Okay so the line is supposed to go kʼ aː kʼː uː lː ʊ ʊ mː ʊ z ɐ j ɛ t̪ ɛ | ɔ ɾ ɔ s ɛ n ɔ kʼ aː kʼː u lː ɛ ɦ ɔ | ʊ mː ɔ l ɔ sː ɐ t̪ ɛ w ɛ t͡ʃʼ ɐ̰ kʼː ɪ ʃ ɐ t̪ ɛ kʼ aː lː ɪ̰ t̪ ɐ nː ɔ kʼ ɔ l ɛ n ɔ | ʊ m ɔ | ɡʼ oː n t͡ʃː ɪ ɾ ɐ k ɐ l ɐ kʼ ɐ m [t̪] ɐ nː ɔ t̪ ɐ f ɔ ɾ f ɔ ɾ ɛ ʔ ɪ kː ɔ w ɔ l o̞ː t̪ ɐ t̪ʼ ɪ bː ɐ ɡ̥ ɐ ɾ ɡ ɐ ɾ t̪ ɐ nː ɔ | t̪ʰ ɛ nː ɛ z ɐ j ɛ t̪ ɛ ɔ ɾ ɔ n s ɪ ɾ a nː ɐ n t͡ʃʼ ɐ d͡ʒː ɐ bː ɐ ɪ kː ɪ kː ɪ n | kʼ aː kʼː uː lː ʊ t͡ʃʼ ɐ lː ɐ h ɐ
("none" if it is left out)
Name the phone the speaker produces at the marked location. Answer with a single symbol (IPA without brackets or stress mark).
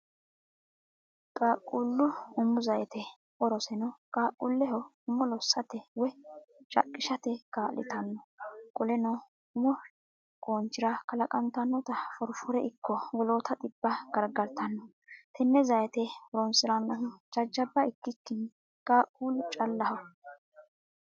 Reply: t̪